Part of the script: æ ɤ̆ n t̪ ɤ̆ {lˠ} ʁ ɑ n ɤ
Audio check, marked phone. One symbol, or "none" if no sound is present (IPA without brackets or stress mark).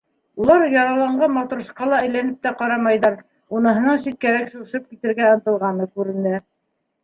lˠ